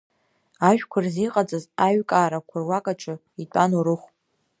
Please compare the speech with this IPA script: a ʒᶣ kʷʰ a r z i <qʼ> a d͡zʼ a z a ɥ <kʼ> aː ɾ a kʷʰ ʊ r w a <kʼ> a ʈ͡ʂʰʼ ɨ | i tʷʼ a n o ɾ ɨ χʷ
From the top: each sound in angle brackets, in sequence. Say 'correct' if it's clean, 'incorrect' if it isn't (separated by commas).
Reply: correct, correct, correct